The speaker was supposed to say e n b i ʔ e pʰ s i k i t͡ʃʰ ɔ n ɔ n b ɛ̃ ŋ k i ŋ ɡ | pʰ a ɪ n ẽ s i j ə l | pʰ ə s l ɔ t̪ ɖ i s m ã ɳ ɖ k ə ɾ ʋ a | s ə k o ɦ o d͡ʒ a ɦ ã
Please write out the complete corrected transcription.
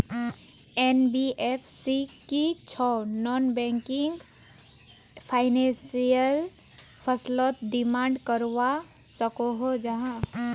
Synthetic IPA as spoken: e n b i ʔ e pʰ s i k i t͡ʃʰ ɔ n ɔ n b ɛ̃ ŋ k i ŋ ɡ | pʰ a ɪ n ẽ s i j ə l | pʰ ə s l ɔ t̪ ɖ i m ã ɳ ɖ k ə ɾ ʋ a | s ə k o ɦ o d͡ʒ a ɦ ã